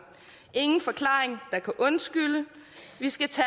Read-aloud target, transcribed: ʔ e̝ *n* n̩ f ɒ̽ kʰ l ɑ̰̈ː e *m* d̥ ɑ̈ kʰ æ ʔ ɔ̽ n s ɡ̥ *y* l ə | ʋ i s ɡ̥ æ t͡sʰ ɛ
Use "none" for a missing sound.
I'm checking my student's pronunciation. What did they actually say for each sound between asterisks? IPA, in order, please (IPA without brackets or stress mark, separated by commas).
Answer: ŋ, ŋ, y